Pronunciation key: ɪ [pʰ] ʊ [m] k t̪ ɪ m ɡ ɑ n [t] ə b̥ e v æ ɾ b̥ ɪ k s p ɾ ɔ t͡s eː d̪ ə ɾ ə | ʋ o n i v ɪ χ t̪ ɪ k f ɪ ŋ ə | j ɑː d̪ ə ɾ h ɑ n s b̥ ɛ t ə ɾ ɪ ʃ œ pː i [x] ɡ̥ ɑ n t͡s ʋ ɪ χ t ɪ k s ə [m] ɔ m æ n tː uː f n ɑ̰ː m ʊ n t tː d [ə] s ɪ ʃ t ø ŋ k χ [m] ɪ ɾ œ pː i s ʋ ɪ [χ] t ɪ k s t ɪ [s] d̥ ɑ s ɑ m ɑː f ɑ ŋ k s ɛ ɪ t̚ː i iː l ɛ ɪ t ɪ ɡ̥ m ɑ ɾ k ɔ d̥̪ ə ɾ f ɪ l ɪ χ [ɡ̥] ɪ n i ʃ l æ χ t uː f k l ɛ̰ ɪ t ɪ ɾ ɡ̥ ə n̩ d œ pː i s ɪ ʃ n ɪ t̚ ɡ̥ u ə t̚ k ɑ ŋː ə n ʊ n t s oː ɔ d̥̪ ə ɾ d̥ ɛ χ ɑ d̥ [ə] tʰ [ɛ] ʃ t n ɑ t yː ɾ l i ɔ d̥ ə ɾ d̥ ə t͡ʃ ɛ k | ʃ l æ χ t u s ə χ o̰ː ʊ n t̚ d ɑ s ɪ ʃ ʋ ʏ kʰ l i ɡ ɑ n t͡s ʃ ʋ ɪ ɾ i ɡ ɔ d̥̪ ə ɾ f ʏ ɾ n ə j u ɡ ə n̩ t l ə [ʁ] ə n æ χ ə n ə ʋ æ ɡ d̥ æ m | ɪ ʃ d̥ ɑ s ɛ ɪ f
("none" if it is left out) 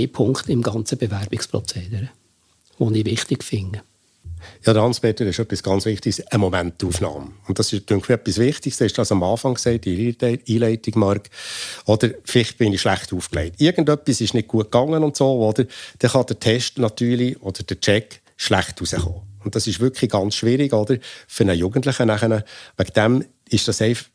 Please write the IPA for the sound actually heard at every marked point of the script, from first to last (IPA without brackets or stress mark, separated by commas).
pʰ, ŋ, t͡s, s, m, ɑ, m, χ, ʃ, b̥, ə, ɛ, χ